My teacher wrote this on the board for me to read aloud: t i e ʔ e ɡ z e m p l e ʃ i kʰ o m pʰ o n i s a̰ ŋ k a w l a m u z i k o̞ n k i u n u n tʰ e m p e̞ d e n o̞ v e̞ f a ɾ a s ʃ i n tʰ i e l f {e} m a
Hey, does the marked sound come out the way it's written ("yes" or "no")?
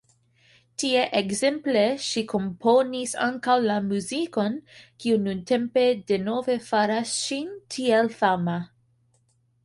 no